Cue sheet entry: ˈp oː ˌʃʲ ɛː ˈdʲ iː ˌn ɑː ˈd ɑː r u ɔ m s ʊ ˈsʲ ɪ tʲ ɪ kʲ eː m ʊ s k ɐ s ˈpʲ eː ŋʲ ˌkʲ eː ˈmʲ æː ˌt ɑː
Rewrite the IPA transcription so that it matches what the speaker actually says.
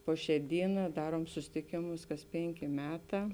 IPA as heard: ˈp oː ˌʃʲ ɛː ˈdʲ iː ˌn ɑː ˈd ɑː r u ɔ m s ʊ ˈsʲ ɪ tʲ ɪ kʲ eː m ʊ s k ɐ s ˈpʲ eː ŋʲ ˌkʲ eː ˈmʲ æː ˌt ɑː